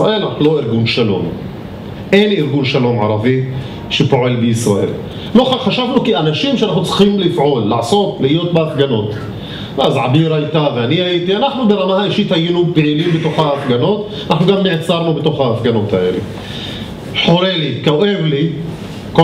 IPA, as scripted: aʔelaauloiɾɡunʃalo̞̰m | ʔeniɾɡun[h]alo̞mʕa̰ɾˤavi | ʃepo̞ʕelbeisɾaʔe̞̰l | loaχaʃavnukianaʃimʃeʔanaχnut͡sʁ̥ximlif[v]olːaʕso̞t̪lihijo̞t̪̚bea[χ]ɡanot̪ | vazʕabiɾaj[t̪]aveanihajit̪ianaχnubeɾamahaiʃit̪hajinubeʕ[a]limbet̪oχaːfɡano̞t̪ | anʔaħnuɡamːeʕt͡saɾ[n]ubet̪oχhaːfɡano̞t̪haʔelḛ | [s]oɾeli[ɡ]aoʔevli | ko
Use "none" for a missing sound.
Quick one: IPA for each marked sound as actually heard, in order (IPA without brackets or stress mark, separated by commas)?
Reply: ʃ, ʕ, f, t̪, i, n, ħ, k